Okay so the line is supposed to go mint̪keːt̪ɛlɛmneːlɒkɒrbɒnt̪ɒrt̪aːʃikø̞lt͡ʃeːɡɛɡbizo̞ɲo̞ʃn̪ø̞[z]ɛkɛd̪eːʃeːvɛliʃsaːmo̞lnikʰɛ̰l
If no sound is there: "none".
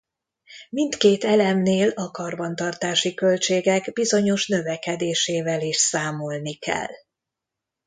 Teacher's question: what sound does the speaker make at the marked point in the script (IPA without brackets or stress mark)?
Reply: v